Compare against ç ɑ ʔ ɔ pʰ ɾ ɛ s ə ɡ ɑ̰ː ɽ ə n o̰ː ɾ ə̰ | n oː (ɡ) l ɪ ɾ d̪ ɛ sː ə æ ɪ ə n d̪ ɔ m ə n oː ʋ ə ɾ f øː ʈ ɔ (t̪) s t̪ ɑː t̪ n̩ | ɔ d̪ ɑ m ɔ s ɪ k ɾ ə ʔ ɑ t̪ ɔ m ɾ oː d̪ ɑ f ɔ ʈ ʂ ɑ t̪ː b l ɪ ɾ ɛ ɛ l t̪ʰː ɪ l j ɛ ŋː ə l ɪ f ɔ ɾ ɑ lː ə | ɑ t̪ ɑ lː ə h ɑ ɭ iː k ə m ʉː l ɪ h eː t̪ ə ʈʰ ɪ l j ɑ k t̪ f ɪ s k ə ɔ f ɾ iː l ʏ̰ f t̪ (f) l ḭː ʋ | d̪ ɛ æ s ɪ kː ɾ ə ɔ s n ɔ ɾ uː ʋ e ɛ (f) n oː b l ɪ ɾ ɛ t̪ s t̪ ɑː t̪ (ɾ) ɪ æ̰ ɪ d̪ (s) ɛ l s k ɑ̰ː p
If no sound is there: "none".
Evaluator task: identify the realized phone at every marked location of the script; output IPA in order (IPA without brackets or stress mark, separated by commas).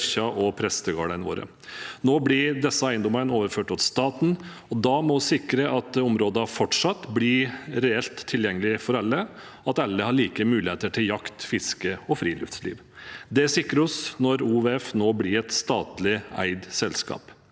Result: b, t̪, s, f, l, s